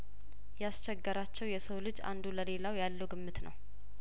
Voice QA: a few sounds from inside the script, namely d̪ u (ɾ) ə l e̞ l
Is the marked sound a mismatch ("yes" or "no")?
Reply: yes